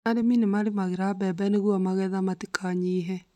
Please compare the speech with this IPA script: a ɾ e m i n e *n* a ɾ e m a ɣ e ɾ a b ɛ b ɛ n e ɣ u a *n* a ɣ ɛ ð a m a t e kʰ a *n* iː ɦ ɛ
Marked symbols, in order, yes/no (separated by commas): no, no, no